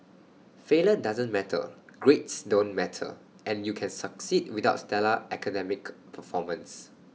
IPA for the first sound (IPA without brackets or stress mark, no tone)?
f